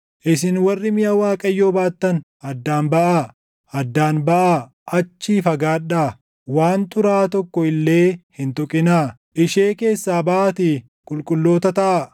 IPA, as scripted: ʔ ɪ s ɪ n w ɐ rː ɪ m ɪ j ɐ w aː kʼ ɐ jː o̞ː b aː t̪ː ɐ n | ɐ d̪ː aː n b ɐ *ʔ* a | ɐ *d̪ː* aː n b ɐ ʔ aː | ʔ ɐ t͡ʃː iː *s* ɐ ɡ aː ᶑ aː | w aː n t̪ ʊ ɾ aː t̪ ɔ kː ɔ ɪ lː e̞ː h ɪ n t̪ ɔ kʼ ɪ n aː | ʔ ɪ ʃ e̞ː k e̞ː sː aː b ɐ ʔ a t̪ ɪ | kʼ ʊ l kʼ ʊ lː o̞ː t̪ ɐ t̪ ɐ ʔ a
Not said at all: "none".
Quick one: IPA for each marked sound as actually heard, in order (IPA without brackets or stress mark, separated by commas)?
ʔ, d̪ː, f